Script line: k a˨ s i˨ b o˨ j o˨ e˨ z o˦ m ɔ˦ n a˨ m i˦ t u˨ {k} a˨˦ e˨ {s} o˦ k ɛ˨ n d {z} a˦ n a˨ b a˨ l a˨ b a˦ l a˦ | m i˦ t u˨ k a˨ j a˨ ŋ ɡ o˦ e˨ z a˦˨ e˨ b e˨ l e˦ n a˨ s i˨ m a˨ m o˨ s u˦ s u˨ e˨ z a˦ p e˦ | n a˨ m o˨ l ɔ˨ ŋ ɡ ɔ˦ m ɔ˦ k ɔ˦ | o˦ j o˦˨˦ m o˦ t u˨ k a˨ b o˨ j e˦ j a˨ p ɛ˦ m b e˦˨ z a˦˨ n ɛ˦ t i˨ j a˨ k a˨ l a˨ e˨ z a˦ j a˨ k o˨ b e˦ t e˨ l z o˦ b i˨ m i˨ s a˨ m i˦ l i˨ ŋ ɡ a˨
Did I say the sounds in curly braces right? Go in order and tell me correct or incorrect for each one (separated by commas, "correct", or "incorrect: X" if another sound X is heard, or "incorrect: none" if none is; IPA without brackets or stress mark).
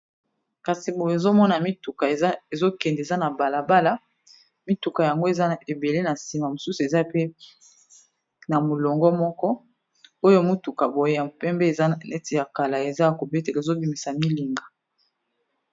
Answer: correct, incorrect: z, correct